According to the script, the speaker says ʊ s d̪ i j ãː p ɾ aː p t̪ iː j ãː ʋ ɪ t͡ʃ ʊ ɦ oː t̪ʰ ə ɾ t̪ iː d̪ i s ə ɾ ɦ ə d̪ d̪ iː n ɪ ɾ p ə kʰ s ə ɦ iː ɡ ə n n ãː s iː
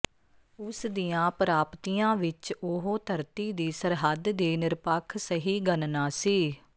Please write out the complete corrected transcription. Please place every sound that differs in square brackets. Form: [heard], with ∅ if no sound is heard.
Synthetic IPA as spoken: ʊ s d̪ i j ãː p ɾ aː p t̪ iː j ãː ʋ ɪ t͡ʃ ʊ ɦ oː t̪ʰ ə ɾ t̪ iː d̪ [iː] s ə ɾ ɦ ə d̪ d̪ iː n ɪ ɾ p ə kʰ s ə ɦ iː ɡ ə n n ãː s iː